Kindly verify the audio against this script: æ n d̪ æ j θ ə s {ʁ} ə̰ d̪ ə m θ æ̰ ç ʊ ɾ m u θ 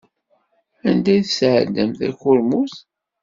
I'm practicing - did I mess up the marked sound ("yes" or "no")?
yes